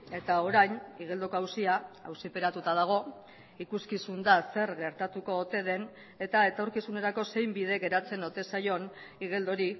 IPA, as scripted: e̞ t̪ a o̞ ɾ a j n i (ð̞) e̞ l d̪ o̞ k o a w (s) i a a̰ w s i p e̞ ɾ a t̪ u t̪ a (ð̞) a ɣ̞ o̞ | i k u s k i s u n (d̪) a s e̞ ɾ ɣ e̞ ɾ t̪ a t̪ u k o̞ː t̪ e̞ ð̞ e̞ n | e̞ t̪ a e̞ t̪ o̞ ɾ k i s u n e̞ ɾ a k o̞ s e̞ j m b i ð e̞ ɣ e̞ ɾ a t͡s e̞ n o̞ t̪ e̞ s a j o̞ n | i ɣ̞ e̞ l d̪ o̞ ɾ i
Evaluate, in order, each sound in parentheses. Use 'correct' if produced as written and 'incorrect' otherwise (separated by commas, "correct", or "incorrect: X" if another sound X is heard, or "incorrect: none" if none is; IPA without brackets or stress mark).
incorrect: ɣ̞, correct, correct, correct